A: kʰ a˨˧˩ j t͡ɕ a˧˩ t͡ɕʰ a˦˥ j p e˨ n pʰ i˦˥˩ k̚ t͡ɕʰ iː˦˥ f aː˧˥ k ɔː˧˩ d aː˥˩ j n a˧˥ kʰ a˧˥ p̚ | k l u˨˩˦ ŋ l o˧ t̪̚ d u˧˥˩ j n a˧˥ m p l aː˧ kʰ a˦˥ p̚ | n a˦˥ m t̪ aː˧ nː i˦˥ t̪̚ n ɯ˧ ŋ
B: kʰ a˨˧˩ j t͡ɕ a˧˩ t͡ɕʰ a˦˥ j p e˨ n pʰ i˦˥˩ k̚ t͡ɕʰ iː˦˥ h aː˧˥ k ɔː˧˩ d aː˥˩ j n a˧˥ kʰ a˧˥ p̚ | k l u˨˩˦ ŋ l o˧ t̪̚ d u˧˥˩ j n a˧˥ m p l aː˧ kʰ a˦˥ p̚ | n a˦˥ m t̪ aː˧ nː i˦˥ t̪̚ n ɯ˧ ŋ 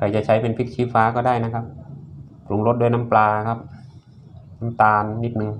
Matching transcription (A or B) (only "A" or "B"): A